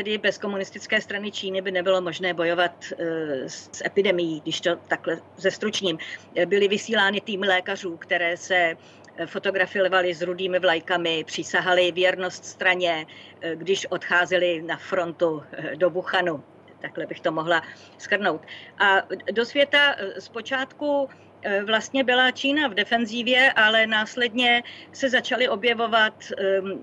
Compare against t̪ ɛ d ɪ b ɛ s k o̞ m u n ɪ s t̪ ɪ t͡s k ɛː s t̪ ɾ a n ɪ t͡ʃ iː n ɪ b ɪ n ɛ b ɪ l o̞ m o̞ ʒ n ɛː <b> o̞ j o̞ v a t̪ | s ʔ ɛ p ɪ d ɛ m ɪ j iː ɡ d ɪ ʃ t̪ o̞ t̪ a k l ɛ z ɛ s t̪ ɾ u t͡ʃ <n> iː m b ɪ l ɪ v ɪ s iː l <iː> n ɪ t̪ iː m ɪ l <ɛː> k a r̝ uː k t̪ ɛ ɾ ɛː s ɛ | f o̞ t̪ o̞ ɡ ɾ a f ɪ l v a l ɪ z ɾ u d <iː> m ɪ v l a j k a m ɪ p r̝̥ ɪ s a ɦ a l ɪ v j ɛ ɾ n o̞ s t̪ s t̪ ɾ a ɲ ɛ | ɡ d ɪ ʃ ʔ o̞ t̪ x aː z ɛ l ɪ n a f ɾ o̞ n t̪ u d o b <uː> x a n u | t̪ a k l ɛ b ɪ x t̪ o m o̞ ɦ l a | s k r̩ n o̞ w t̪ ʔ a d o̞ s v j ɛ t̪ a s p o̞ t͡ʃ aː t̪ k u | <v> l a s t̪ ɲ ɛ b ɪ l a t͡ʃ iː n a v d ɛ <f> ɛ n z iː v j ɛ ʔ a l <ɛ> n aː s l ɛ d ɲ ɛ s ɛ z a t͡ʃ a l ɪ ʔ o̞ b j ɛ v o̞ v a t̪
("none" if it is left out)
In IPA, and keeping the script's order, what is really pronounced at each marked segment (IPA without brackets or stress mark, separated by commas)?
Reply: b, ɲ, aː, ɛː, iː, u, v, f, ɛ